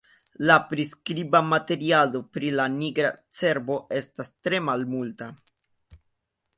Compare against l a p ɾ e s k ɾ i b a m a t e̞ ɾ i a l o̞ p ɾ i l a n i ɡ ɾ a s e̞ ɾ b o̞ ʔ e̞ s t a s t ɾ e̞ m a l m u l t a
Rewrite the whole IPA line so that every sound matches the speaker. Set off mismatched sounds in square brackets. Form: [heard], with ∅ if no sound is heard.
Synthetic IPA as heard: l a p ɾ [i] s k ɾ i b a m a t e̞ ɾ i a l o̞ p ɾ i l a n i ɡ ɾ a [t͡s] e̞ ɾ b o̞ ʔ e̞ s t a s t ɾ e̞ m a l m u l t a